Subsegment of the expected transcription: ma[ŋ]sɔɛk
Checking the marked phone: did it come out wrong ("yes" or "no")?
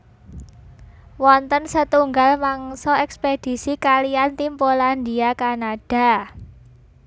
no